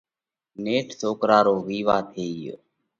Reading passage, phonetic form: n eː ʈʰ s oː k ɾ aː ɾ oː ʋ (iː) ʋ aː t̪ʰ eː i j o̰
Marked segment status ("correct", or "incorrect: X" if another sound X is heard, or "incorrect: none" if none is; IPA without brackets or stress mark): correct